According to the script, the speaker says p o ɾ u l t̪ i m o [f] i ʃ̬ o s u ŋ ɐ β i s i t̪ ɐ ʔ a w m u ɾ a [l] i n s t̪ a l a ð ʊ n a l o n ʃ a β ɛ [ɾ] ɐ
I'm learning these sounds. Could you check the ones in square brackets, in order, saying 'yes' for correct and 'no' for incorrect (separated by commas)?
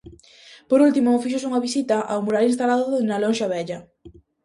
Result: yes, yes, no